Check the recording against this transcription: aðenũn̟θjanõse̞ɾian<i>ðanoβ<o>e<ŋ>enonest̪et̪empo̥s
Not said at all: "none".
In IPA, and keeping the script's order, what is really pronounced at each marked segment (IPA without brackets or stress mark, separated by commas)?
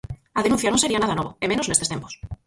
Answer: a, o, m